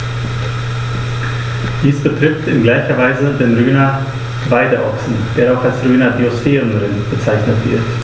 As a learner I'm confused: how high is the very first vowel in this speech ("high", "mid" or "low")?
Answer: high